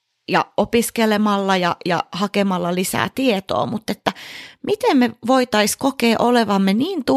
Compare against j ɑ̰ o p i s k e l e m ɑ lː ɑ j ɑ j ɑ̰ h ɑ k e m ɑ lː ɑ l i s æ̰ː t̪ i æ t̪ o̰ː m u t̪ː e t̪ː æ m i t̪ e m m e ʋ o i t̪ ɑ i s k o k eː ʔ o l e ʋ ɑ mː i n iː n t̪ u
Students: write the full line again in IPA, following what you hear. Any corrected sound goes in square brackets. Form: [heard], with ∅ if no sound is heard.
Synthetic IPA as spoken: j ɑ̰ o p i s k e l e m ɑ lː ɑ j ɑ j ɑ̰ h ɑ k e m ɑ lː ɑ l i s æ̰ː t̪ i [e] t̪ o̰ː m u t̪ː e t̪ː æ m i t̪ e m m e ʋ o i t̪ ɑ i s k o k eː ʔ o l e ʋ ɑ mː [e] n iː n t̪ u